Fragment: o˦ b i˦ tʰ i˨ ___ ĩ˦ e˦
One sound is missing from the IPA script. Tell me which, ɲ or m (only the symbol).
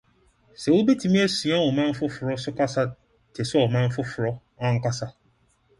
m